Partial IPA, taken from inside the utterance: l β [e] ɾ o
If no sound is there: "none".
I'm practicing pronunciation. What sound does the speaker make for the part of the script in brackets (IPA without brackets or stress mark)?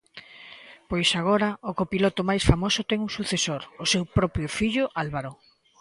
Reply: a